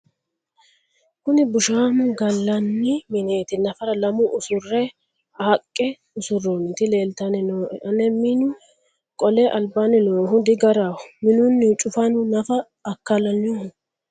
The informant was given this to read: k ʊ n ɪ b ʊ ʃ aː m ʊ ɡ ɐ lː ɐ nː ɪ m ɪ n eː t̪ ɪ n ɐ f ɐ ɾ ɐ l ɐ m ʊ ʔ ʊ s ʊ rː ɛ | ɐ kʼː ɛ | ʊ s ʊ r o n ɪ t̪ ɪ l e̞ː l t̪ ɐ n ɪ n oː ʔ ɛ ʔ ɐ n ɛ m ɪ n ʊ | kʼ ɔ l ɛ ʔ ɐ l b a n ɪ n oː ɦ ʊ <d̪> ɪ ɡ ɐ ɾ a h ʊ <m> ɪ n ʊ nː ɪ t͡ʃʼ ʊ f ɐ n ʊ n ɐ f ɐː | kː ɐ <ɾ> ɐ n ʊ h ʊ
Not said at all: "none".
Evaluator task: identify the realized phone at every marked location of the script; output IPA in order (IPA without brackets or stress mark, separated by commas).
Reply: d̪, m, l